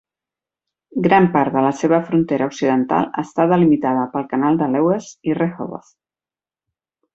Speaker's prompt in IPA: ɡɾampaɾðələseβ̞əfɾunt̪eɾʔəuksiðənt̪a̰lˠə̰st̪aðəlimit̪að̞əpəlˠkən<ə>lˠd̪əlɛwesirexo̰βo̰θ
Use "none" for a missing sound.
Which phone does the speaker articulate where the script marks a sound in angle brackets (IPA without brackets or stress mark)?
a